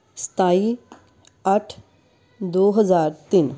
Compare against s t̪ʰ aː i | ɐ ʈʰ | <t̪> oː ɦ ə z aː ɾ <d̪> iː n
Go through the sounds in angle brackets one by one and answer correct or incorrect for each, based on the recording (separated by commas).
incorrect, incorrect